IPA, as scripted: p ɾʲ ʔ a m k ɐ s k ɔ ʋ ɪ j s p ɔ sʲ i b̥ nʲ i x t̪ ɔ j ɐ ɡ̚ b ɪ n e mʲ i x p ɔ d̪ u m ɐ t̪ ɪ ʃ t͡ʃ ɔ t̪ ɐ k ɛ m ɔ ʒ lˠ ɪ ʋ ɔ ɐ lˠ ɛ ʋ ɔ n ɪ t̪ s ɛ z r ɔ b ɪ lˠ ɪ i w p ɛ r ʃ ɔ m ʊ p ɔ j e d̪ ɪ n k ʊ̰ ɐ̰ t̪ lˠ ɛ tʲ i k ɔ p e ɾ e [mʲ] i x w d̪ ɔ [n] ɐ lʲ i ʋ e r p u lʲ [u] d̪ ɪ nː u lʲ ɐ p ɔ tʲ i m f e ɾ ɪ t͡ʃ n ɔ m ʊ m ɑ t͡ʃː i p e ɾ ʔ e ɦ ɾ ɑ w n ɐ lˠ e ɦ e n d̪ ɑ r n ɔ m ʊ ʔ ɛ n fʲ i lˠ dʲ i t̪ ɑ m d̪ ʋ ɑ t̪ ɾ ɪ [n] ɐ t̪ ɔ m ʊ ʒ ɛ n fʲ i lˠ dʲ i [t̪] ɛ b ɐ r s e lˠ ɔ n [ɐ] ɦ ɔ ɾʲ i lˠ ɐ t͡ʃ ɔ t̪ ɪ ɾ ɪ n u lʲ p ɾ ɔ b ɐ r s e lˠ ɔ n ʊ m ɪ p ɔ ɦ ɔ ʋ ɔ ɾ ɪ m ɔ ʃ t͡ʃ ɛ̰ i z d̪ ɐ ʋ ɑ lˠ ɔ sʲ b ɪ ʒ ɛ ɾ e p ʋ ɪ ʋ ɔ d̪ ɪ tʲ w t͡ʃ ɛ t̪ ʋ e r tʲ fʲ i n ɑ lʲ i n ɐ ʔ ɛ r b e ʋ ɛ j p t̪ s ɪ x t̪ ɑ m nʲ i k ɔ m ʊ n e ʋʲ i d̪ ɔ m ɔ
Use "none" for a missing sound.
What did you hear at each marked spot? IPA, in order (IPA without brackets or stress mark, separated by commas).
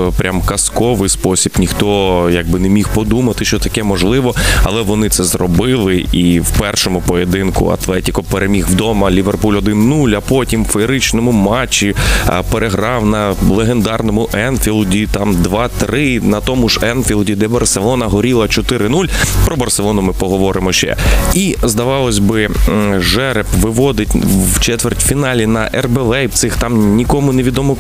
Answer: mʲ, m, ɔ, n, d̪, ɐ